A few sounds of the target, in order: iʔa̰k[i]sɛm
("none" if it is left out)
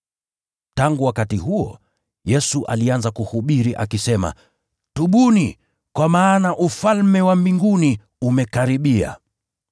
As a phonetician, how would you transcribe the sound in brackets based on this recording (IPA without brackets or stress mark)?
i